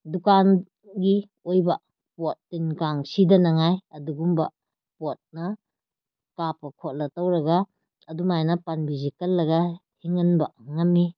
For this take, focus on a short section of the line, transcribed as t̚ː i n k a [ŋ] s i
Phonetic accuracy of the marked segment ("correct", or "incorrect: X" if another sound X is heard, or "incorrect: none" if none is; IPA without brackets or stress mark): correct